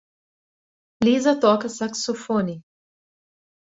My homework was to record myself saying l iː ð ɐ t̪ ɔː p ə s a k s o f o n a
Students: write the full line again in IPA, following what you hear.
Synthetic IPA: l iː z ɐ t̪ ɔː k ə s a k s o f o n i